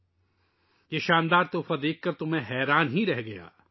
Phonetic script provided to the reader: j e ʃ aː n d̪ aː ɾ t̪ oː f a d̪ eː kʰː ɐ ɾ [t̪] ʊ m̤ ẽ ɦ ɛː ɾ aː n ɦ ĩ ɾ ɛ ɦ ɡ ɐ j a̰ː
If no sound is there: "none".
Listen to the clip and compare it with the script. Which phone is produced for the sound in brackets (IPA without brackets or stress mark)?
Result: t̪